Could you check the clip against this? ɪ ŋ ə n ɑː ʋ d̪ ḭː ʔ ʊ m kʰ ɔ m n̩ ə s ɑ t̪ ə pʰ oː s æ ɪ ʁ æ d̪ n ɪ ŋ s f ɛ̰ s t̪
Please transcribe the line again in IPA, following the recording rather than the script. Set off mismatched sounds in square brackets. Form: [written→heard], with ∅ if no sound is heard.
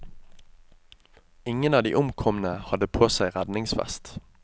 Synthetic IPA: ɪ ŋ ə n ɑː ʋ d̪ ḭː ʔ ʊ m kʰ ɔ m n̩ ə [s→h] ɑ [t̪→d̪] ə pʰ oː s æ ɪ ʁ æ d̪ n ɪ ŋ s f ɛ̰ s t̪